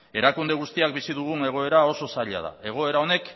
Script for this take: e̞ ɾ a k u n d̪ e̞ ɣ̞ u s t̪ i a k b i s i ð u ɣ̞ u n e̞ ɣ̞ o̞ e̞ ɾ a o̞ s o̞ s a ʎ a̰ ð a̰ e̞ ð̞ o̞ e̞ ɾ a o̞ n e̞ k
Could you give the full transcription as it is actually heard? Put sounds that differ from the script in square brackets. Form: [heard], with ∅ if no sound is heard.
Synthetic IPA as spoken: e̞ ɾ a k u n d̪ e̞ ɣ̞ u s t̪ i a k b i s i ð u ɣ̞ u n e̞ ɣ̞ o̞ e̞ ɾ a o̞ s o̞ s a ʎ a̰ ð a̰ e̞ [ɣ̞] o̞ e̞ ɾ a o̞ n e̞ k